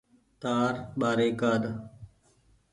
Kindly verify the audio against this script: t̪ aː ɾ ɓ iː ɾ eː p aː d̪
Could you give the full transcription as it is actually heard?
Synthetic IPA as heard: t̪ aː ɾ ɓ aː ɾ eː k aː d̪